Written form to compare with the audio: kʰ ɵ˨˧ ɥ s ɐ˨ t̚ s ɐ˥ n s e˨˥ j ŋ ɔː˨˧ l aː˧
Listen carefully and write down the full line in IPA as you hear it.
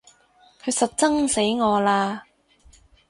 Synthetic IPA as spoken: kʰ ɵ˨˧ ɥ s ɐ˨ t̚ t͡s ɐ˥ ŋ s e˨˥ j ŋ ɔː˨˧ l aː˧